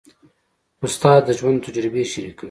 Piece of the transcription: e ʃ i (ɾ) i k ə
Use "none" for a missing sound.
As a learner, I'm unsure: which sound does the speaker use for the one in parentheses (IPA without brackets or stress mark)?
ɾ